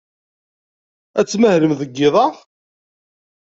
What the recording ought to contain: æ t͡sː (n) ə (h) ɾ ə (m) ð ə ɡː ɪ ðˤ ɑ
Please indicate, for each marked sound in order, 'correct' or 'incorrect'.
incorrect: m, correct, correct

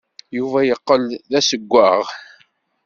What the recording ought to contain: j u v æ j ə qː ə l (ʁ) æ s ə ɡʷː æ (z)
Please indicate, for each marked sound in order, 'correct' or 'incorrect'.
incorrect: ð, incorrect: ʁ

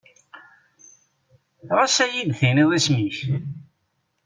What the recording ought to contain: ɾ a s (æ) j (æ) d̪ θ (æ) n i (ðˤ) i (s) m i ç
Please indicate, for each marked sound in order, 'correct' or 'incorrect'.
correct, incorrect: i, incorrect: i, correct, correct

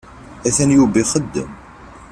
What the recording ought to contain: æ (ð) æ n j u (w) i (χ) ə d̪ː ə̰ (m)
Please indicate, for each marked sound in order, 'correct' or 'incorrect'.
incorrect: θ, incorrect: b, correct, correct

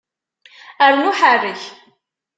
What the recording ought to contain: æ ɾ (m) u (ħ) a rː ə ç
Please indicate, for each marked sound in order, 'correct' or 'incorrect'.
incorrect: n, correct

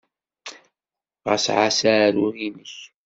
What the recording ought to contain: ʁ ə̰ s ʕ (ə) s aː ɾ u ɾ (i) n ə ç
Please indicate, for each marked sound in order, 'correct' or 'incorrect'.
incorrect: a, correct

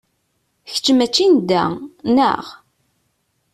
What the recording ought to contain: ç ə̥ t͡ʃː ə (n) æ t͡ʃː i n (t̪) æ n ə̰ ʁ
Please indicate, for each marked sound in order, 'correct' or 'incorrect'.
incorrect: m, incorrect: d̪

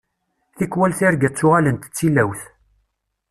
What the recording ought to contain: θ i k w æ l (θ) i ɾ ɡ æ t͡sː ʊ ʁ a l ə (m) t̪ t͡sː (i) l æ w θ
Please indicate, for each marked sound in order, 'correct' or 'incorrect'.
correct, incorrect: n, correct

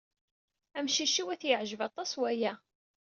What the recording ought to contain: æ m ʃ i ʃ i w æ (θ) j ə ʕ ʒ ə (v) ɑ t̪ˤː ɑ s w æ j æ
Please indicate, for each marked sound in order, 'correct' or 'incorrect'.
correct, correct

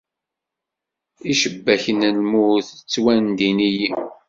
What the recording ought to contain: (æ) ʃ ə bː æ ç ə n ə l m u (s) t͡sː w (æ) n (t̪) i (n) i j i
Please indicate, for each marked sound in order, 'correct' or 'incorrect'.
incorrect: i, incorrect: θ, correct, incorrect: d̪, correct

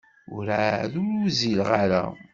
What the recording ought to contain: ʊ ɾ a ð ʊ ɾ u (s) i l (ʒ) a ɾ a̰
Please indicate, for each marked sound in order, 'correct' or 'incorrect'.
incorrect: z, incorrect: ʁ

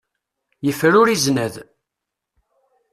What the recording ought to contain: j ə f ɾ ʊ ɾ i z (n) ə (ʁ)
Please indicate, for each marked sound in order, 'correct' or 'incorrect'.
correct, incorrect: ð

